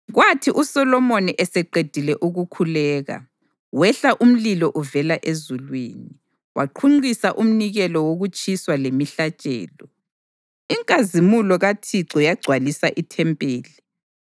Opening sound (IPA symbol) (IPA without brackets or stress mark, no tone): ɣ